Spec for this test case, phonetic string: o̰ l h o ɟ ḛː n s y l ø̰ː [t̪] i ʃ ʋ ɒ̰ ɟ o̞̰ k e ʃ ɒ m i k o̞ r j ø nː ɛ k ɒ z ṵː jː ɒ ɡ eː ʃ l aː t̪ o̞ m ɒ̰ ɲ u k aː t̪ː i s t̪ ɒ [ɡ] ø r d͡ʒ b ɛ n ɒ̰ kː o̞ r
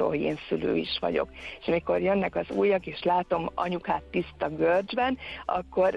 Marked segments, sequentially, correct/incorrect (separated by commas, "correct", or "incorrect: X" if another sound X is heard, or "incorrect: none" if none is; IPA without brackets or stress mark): incorrect: none, correct